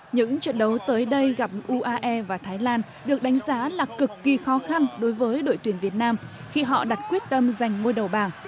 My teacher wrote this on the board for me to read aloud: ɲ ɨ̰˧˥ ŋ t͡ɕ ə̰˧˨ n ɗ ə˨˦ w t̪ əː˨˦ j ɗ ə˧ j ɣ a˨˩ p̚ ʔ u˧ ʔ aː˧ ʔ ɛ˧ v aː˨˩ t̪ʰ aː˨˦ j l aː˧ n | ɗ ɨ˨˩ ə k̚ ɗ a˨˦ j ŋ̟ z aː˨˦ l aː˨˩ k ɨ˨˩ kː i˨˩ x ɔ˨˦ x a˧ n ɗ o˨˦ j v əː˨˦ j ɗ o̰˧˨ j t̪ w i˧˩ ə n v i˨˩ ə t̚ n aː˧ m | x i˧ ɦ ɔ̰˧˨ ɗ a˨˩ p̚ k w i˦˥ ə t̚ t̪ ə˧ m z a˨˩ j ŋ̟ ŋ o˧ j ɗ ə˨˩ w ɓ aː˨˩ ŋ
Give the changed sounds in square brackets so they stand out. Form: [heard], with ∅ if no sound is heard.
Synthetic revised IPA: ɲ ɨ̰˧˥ ŋ t͡ɕ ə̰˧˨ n ɗ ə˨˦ w t̪ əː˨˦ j ɗ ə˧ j ɣ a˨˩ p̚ ʔ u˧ ʔ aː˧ ʔ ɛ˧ v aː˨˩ t̪ʰ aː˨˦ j l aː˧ n | ɗ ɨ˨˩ ə k̚ ɗ a˨˦ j ŋ̟ z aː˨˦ l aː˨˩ k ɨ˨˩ kː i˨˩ x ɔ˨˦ x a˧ n ɗ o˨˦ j v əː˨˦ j ɗ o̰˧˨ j t̪ w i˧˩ ə n v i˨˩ ə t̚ n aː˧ m | x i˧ ɦ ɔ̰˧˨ ɗ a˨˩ [t̚] k w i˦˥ ə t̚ t̪ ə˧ m z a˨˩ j ŋ̟ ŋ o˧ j ɗ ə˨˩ w ɓ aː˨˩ ŋ